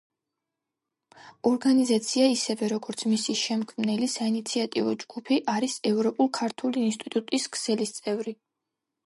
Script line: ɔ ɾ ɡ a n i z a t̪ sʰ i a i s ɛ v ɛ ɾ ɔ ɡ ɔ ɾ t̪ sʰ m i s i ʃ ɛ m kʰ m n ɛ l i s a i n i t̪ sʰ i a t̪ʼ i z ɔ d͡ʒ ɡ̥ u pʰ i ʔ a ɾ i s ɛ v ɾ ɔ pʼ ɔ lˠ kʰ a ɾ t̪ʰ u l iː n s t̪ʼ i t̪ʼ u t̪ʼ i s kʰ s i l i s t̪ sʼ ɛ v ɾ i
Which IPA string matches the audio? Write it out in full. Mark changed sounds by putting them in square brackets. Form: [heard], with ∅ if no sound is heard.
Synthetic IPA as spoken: ɔ ɾ ɡ a n i z a t̪ sʰ i a i s ɛ v ɛ ɾ ɔ ɡ ɔ ɾ t̪ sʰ m i s i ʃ ɛ m kʰ m n ɛ l i s a i n i t̪ sʰ i a t̪ʼ i [v] ɔ d͡ʒ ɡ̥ u pʰ i ʔ a ɾ i s ɛ v ɾ ɔ pʼ [u] lˠ kʰ a ɾ t̪ʰ u l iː n s t̪ʼ i t̪ʼ u t̪ʼ i s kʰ s [ɛ] l i s t̪ sʼ ɛ v ɾ i